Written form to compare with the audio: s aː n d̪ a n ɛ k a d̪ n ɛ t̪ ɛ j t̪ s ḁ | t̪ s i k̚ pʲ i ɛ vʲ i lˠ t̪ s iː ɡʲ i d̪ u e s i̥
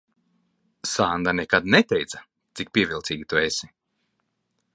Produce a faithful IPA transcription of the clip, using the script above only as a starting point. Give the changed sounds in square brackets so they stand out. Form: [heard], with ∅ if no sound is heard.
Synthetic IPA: s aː n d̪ a n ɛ k a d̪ n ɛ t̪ ɛ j t̪ s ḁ | t̪ s i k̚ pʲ i ɛ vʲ i lˠ t̪ s iː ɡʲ i [t̪] u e s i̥